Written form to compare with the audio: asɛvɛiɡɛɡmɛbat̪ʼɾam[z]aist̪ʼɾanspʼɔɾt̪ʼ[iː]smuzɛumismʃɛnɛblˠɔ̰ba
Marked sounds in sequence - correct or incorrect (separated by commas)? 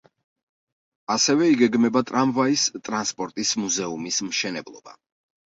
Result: incorrect, incorrect